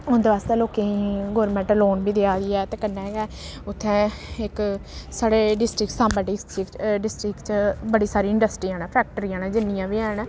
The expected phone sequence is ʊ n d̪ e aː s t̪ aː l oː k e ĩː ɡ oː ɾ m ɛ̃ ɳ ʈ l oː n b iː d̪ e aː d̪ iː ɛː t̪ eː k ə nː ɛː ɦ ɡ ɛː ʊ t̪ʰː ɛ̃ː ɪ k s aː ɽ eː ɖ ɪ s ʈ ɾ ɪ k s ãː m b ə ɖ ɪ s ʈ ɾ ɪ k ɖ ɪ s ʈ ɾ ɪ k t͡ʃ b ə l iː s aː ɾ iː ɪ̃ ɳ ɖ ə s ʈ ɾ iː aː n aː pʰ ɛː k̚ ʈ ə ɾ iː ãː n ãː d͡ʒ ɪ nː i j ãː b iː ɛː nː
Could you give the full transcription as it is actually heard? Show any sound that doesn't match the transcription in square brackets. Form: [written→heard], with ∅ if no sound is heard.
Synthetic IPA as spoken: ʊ n d̪ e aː s t̪ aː l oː k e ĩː ɡ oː ɾ m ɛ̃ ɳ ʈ l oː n b iː d̪ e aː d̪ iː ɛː t̪ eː k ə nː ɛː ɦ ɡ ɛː ʊ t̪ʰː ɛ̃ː ɪ k s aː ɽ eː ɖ ɪ s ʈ ɾ ɪ k s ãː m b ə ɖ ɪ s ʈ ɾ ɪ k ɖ ɪ s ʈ ɾ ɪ k t͡ʃ b ə [l→ɽ] iː s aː ɾ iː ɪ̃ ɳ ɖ ə s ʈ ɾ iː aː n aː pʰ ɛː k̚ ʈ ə ɾ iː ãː n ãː d͡ʒ ɪ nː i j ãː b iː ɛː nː